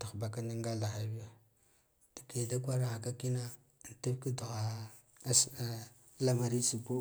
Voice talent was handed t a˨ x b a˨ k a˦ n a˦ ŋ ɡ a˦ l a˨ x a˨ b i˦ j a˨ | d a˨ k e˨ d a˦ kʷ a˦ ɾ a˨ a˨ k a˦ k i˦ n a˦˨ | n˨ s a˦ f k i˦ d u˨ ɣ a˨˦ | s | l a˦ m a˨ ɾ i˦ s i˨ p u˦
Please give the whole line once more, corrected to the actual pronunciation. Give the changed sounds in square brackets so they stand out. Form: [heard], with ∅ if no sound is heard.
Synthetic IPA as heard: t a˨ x b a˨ k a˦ n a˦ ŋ ɡ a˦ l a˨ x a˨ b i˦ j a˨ | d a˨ k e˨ d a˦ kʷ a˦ ɾ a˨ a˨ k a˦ k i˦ n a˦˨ | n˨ [t] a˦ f k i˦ d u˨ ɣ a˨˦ | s | l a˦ m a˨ ɾ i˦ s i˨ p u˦